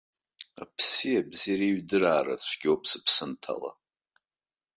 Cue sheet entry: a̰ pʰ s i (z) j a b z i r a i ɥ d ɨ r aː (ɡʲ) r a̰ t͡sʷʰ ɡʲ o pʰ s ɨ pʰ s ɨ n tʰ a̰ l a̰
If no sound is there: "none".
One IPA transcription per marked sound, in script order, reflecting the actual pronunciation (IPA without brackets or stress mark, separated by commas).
none, none